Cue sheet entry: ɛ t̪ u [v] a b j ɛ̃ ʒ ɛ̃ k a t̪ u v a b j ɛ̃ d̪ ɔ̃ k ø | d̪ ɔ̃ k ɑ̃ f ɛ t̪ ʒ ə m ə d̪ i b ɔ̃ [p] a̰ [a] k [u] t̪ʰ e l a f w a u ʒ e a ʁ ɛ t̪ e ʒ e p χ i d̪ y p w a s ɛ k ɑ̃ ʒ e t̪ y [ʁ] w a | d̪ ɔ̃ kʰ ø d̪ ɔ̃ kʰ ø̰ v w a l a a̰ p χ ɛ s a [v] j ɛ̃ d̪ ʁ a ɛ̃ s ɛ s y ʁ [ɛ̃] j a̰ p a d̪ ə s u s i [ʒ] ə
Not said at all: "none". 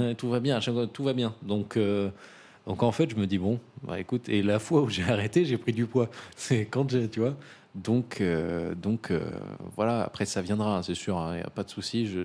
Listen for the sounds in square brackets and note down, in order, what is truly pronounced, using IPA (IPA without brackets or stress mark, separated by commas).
v, b, e, u, v, v, ɛ̃, ʒ